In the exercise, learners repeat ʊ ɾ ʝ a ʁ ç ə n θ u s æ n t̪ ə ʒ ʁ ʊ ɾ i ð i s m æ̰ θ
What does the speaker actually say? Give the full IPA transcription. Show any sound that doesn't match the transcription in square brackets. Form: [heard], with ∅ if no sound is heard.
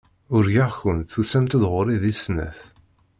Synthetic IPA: ʊ ɾ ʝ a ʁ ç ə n θ u s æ [m] t̪ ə [ð] ʁ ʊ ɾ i ð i s [n] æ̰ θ